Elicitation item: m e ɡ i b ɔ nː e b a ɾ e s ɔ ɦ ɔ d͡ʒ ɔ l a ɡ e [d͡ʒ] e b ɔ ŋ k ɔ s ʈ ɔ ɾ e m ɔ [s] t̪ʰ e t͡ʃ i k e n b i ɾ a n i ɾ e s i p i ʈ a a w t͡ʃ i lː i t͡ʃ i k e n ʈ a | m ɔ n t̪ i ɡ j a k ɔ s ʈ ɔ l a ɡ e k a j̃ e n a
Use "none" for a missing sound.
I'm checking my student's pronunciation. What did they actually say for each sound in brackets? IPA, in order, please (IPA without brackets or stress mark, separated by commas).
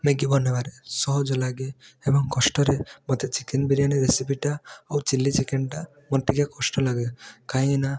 none, none